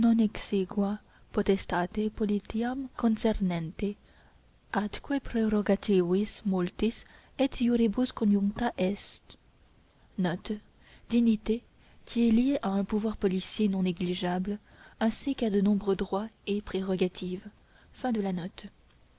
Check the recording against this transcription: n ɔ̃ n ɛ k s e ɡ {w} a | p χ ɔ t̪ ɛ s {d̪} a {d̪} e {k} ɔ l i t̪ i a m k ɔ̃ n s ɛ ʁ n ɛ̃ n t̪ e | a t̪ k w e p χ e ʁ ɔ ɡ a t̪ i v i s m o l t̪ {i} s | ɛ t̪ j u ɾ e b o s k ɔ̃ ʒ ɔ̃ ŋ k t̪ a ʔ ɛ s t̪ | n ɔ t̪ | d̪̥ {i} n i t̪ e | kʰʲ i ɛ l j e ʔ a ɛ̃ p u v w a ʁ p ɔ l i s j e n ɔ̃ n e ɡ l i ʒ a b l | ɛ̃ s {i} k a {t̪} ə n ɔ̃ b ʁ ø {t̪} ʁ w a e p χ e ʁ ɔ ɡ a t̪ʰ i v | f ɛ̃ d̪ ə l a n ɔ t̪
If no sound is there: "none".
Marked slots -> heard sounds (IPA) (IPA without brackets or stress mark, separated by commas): w, t̪, t̪, p, i, i, i, d̪, d̪